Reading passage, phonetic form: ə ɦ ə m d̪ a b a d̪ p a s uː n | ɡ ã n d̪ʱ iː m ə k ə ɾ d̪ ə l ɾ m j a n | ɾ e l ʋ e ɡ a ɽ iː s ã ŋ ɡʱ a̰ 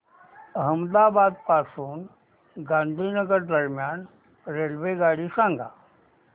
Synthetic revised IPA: ə ɦ ə m d̪ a b a d̪ p a s uː n | ɡ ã n d̪ʱ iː n ə ɡ ə ɾ d̪ ə ɾ m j a n | ɾ e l ʋ e ɡ a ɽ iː s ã ŋ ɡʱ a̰